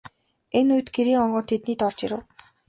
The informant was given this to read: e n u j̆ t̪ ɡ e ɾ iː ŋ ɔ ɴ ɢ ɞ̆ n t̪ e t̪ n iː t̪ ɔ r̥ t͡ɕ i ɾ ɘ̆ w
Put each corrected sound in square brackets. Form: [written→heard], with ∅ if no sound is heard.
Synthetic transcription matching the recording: e n u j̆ t̪ ɡ e ɾ iː ŋ ɔ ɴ ɢ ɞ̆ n [t̪→t̪ʰ] e t̪ n iː t̪ ɔ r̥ t͡ɕ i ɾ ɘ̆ w